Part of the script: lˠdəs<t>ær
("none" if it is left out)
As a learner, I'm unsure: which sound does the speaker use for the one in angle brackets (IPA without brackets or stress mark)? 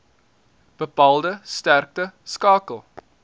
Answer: t